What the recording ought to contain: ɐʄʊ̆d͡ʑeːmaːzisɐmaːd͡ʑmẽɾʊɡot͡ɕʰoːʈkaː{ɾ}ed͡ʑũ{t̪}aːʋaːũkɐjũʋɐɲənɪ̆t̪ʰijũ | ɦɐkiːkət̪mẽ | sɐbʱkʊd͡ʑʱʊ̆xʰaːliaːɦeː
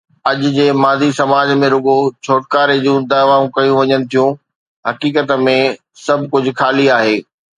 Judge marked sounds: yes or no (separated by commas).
yes, no